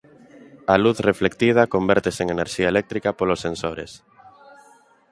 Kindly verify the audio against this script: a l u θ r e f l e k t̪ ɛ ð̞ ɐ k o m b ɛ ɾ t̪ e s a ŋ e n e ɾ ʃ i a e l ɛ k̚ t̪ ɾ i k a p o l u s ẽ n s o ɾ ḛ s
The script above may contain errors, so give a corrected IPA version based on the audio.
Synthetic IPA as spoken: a l u θ r e f l e k t̪ i ð̞ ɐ k o m b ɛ ɾ t̪ e s e ŋ e n e ɾ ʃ i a e l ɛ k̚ t̪ ɾ i k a p o l o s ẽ n s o ɾ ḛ s